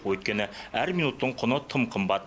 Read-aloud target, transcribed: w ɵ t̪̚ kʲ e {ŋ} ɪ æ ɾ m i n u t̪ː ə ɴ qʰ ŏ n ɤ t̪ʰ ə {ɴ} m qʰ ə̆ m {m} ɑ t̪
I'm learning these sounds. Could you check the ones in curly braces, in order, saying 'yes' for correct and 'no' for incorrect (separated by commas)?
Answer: no, no, no